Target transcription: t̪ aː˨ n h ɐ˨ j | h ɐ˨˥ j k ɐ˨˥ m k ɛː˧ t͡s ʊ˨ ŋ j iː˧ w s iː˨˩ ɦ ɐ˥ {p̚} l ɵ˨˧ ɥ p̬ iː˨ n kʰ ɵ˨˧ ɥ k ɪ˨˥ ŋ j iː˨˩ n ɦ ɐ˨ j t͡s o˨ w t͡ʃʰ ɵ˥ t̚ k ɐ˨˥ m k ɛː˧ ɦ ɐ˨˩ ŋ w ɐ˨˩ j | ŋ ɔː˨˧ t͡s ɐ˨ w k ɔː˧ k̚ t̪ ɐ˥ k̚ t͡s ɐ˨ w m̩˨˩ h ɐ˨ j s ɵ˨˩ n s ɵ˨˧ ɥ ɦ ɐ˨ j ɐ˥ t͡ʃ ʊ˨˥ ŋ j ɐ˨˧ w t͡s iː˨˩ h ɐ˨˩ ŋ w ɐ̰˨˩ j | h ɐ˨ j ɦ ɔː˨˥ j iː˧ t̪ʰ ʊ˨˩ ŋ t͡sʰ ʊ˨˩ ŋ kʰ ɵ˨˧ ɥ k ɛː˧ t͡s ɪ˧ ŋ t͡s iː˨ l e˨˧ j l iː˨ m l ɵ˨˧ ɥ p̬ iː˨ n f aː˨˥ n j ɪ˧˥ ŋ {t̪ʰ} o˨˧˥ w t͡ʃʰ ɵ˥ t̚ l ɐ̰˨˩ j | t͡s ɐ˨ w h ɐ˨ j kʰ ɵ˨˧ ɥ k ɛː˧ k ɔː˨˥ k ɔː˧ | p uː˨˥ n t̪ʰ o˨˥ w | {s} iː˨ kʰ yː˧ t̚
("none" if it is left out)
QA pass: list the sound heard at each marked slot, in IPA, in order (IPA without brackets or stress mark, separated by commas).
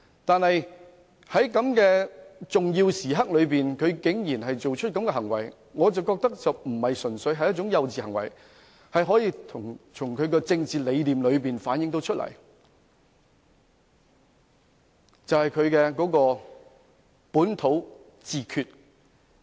k̚, t̪, t͡s